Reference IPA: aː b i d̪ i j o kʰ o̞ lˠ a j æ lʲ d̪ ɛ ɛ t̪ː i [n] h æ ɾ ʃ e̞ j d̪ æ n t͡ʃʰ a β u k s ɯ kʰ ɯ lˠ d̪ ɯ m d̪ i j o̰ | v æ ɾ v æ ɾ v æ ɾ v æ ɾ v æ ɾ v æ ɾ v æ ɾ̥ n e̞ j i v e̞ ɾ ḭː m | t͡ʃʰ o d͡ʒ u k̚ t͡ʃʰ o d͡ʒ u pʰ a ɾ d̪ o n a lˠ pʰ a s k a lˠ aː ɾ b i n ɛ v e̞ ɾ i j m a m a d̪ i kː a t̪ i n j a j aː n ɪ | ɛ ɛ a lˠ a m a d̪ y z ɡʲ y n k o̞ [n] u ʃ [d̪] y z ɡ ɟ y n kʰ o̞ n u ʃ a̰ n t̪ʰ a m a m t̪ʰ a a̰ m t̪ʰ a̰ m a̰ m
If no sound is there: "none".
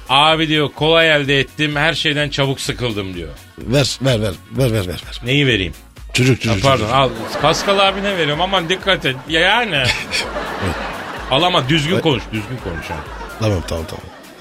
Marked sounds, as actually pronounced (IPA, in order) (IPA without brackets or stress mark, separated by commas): m, n, d̪